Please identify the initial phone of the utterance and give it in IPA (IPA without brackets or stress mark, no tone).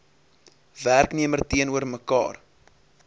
v